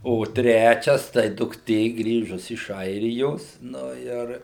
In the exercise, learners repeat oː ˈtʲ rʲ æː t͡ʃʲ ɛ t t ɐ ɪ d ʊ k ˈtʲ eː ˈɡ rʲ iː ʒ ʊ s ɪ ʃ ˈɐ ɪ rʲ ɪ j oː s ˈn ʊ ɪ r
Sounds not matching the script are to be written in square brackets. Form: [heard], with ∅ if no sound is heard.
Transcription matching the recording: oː ˈtʲ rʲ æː t͡ʃʲ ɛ [s] t ɐ ɪ d ʊ k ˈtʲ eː ˈɡ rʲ iː ʒ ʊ s ɪ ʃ ˈɐ ɪ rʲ ɪ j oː s ˈn ʊ ɪ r